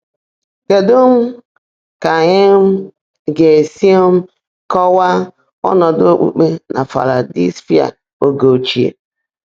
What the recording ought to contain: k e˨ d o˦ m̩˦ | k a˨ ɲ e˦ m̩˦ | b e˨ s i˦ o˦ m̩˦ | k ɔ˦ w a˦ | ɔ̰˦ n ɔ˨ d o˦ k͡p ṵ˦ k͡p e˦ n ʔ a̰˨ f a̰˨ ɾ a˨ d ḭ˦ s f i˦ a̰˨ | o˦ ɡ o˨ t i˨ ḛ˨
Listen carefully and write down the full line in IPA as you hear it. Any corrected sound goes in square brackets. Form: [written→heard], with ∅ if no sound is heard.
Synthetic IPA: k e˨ d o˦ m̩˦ | k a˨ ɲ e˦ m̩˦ | [b→ɡ] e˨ s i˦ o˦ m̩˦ | k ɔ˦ w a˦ | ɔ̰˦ n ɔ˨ d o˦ k͡p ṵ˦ k͡p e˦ n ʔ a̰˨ f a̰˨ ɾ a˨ d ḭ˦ s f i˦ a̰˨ | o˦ ɡ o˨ [t→t͡ʃ] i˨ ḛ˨